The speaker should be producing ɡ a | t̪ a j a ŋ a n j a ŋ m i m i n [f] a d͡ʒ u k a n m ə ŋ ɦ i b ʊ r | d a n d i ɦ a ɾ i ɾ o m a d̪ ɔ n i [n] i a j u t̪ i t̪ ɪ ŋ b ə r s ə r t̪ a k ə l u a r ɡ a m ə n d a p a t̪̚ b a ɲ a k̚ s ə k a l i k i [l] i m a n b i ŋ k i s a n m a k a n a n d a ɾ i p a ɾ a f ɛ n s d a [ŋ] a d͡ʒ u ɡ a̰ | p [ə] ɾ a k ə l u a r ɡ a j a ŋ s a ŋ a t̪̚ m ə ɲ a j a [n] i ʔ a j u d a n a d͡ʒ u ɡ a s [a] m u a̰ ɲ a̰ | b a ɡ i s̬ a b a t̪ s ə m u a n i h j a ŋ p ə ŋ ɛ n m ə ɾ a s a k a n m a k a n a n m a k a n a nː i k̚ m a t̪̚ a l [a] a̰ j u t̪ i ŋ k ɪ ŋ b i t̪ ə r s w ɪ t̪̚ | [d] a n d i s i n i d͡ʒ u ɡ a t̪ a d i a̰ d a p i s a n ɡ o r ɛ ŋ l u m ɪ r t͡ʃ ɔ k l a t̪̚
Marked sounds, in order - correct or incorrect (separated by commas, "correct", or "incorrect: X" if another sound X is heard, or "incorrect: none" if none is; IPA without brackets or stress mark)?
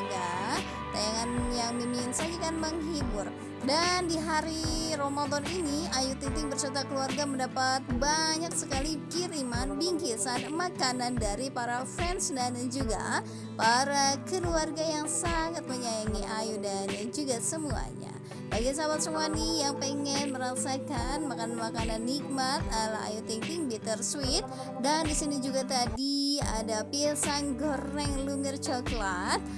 incorrect: s, correct, incorrect: ɾ, incorrect: n, incorrect: a, incorrect: ŋ, incorrect: ə, correct, correct